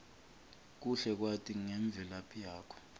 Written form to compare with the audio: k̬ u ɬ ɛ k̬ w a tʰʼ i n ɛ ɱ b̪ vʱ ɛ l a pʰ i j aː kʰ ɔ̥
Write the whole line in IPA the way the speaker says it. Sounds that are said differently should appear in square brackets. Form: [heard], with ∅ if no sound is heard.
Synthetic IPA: k̬ u ɬ ɛ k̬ w a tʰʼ i [ŋ] ɛ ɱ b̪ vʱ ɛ l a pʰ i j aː kʰ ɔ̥

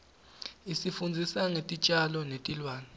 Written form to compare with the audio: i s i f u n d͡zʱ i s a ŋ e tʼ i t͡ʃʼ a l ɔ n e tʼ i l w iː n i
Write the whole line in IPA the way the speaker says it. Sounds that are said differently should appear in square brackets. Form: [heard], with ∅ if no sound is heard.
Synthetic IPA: i s i f u n d͡zʱ i s a ŋ e tʼ i t͡ʃʼ a l ɔ n e tʼ i l w [aː] n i

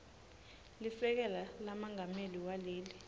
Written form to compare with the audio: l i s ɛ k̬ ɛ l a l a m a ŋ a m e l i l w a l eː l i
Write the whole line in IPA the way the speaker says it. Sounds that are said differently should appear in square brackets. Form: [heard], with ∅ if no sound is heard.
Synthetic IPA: l i [f] ɛ k̬ ɛ l a l a m a ŋ a m e l i [∅] w a l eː l i

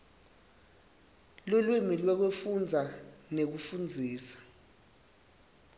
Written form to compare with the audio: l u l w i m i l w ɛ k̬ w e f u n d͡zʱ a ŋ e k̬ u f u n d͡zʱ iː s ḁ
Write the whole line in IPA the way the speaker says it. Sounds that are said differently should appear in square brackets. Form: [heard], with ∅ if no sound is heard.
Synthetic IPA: l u l w i m i l w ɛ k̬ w e f u n d͡zʱ a [n] e k̬ u f u n d͡zʱ iː s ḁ

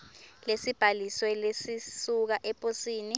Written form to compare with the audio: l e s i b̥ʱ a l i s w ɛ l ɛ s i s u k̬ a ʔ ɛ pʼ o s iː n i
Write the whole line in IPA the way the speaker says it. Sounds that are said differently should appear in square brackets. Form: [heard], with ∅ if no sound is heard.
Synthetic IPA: l e s i b̥ʱ a l i s w ɛ l [e] s i s u k̬ a ʔ ɛ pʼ o s iː n i

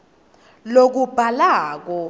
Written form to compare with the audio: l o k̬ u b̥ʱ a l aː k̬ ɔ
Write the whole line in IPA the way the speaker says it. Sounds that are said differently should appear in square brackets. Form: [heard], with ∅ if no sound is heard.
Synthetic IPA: l o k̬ u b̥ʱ a l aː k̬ ɔ

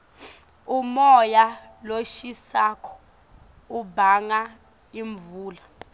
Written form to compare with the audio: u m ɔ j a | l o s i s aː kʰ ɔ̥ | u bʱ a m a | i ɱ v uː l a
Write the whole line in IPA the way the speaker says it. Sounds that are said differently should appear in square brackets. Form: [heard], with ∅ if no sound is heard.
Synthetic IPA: u m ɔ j a | l o [ʃ] i s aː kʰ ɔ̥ | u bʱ a [ŋ] a | i ɱ v uː l a

